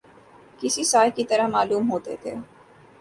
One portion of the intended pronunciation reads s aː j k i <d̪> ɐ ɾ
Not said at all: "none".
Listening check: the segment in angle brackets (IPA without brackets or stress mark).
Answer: t̪